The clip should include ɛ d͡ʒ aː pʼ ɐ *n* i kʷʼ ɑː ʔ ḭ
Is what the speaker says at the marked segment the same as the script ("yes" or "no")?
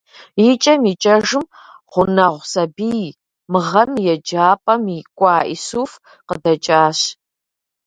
no